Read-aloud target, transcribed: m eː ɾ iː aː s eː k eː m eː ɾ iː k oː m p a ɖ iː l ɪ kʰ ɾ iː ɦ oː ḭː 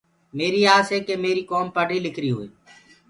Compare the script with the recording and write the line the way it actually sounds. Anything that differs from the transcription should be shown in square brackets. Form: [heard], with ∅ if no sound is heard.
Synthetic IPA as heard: m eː ɾ iː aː s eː k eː m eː ɾ iː k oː m p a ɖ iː l ɪ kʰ ɾ iː ɦ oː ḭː

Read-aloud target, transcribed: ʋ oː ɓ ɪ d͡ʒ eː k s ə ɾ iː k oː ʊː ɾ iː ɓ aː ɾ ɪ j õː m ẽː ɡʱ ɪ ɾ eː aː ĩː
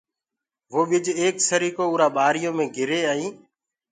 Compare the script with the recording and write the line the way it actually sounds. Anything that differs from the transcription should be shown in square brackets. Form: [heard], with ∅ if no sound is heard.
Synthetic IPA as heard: ʋ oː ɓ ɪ d͡ʒ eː k s ə ɾ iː k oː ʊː ɾ [aː] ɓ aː ɾ ɪ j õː m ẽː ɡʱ ɪ ɾ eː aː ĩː

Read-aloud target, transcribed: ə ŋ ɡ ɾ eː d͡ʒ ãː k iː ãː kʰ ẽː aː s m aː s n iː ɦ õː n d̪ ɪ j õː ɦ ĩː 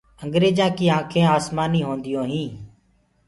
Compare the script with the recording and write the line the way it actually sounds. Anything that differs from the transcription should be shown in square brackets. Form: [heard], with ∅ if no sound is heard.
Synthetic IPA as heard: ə ŋ ɡ ɾ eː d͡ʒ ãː k iː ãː kʰ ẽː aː s m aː [∅] n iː ɦ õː n d̪ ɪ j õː ɦ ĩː

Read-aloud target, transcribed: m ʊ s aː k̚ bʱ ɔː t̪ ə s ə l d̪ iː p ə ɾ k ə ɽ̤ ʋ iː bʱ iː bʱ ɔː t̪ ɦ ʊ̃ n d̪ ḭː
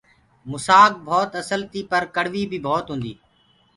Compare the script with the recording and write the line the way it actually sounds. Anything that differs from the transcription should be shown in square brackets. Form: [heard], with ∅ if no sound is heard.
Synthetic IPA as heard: m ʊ s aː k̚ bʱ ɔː t̪ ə s ə l [t̪] iː p ə ɾ k ə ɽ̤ ʋ iː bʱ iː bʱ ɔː t̪ ɦ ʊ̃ n d̪ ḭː

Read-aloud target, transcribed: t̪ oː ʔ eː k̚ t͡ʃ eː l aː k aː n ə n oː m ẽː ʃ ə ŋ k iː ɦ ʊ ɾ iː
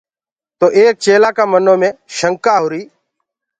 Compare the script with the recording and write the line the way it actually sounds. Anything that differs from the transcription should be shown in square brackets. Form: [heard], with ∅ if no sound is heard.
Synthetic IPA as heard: t̪ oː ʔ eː k̚ t͡ʃ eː l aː k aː [m] ə n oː m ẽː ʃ ə ŋ k [aː] ɦ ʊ ɾ iː

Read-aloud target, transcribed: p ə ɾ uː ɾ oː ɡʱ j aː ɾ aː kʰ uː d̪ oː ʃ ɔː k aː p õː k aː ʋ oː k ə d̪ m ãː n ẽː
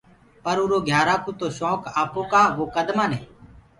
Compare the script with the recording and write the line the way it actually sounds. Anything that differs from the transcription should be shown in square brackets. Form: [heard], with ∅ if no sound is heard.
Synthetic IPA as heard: p ə ɾ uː ɾ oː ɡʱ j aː ɾ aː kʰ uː [t̪] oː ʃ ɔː k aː p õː k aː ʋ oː k ə d̪ m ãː n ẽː

